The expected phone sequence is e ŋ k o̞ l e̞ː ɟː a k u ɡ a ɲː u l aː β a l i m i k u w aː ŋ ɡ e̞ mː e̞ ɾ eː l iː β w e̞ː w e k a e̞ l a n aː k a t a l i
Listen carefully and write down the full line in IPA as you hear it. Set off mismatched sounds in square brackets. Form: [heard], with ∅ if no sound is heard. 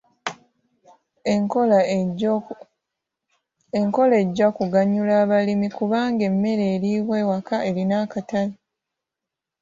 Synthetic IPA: e ŋ k o̞ l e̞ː ɟː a k u ɡ a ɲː u l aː β a l i m i k u [β] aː ŋ ɡ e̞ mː e̞ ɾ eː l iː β w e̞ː w [a] k a e̞ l [i] n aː k a t a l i